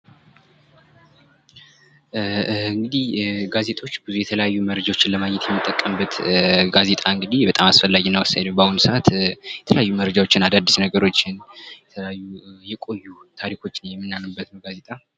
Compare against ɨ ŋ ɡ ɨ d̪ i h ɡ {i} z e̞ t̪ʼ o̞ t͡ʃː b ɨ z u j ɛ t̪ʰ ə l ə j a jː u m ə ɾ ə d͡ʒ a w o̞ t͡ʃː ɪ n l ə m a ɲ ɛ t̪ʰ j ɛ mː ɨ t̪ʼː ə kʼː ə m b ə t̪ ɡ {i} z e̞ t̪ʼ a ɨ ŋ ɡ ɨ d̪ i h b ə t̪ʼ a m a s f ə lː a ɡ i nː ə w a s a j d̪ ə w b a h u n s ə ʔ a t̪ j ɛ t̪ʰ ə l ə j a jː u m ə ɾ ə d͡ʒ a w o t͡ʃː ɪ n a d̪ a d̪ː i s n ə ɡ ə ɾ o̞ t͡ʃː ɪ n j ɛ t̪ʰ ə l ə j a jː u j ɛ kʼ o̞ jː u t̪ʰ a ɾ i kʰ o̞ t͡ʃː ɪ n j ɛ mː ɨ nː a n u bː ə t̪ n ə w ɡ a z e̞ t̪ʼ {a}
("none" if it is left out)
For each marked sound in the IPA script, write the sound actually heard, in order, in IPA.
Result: a, a, a

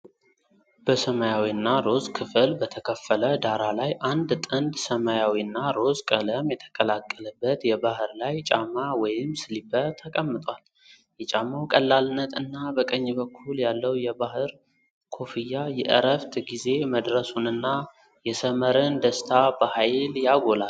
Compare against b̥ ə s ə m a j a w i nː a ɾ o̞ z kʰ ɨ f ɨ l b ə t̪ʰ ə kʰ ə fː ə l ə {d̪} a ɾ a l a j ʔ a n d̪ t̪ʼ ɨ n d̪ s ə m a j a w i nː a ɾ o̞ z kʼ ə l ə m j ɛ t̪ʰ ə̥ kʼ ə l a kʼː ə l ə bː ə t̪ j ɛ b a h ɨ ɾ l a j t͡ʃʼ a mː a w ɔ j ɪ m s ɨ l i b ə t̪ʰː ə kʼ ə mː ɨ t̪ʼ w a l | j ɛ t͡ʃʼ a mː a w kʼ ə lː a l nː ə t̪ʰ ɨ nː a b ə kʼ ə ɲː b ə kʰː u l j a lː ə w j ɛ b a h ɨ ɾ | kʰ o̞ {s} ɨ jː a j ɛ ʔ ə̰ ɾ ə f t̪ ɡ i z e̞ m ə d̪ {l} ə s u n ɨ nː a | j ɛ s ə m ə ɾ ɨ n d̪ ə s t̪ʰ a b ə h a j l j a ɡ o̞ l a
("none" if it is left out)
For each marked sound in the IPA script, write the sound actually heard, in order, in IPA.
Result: d̪, f, ɾ

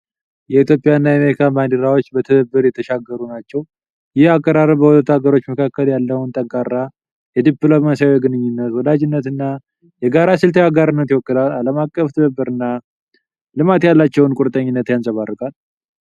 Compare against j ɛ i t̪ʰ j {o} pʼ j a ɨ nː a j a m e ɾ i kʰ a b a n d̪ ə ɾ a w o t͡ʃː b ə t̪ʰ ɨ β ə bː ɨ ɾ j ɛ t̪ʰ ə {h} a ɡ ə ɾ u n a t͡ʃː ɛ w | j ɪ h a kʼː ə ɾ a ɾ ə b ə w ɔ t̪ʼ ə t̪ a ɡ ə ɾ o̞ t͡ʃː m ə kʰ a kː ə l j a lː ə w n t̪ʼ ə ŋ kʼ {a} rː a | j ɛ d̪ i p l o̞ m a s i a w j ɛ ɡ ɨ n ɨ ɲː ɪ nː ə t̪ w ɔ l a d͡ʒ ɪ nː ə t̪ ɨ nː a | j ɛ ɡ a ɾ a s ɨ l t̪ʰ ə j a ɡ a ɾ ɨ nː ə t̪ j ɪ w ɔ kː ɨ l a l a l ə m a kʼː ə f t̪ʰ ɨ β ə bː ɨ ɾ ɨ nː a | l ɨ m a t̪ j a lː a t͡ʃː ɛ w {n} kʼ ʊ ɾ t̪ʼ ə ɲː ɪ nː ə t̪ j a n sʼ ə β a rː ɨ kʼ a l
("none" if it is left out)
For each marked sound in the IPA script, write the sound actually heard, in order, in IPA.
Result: o, ʃ, a, n

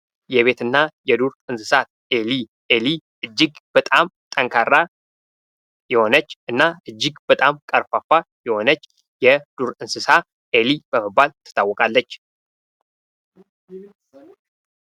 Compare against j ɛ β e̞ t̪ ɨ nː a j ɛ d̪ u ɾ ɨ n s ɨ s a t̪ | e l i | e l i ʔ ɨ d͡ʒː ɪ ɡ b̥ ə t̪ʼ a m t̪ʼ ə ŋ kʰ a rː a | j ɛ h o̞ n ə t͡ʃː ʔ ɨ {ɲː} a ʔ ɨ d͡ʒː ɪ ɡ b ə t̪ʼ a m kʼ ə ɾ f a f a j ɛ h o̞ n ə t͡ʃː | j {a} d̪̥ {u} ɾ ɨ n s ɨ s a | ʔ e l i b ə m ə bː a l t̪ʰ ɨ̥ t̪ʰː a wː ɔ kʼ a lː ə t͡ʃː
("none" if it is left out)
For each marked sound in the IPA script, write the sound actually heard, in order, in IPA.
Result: nː, ɛ, u

